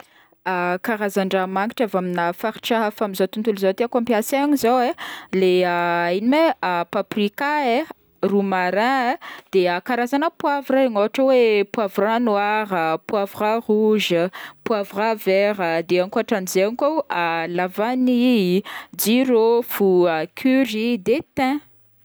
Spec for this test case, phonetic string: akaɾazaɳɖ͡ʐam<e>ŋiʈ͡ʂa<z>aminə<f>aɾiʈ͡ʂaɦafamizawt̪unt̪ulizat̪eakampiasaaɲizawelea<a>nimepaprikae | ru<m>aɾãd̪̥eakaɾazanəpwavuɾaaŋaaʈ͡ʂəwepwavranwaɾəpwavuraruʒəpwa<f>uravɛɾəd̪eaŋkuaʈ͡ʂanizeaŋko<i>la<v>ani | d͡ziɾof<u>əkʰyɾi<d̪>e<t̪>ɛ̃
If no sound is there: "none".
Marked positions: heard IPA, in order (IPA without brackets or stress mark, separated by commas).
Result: a, v, f, i, m, v, a, v, u, d̪, t̪